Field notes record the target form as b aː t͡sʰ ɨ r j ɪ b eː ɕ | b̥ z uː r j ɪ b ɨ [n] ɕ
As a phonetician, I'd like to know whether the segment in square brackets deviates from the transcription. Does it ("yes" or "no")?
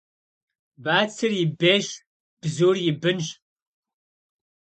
no